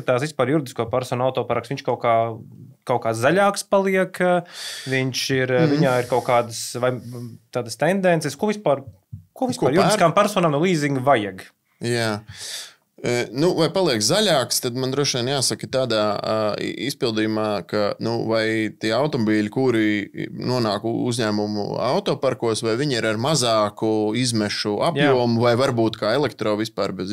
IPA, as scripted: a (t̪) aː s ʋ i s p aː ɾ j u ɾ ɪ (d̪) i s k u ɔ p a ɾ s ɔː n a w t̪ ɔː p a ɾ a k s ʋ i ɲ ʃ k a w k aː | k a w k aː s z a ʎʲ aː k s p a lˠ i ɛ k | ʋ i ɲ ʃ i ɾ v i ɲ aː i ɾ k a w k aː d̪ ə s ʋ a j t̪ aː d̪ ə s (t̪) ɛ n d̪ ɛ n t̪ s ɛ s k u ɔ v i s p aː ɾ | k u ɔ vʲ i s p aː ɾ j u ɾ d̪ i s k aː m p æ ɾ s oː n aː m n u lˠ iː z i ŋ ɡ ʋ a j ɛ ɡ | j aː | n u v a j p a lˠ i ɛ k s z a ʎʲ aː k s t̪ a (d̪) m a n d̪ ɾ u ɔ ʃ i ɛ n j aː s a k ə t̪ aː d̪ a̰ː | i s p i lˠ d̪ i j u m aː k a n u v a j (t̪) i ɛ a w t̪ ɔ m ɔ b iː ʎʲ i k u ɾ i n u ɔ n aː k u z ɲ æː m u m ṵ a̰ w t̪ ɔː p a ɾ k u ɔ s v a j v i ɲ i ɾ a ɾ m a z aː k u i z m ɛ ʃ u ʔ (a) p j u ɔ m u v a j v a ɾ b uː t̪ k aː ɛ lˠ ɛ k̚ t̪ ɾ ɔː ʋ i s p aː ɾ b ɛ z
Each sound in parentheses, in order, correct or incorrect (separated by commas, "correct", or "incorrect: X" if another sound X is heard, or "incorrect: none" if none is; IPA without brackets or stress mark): correct, correct, correct, correct, correct, correct